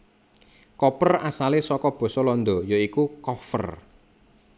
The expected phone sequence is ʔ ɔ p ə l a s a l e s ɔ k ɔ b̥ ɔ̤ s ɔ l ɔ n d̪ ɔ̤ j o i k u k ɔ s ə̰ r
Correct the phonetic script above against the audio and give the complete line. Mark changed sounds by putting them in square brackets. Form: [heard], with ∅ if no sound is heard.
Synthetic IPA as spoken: [k] ɔ p ə [r] a s a l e s ɔ k ɔ b̥ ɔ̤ s ɔ l ɔ n d̪ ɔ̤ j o i k u k ɔ [f] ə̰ r